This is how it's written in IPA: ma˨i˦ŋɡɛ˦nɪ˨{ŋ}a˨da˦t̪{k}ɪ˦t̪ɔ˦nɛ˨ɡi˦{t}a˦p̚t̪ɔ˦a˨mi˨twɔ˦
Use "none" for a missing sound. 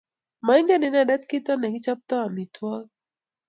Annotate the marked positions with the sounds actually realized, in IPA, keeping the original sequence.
n, k, t͡ʃ

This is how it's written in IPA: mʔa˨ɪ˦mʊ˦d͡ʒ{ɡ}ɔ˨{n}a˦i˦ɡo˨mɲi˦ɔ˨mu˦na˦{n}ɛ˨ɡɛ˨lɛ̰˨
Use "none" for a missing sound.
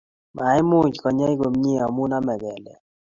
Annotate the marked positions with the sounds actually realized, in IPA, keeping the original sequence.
k, ɲ, m

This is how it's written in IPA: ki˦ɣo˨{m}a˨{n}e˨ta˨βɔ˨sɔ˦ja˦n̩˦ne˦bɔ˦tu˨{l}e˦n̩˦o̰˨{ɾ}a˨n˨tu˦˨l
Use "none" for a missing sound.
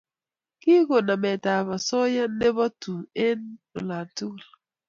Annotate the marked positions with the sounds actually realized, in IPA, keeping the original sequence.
n, m, none, l

